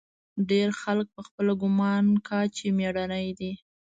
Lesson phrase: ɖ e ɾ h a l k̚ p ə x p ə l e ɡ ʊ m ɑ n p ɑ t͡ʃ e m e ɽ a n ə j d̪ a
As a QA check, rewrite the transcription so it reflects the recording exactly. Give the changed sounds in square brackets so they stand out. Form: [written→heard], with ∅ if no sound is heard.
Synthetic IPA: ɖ e ɾ [h→x] a l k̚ p ə x p ə l [e→a] ɡ ʊ m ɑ n [p→k] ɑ t͡ʃ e m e ɽ a n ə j d̪ [a→i]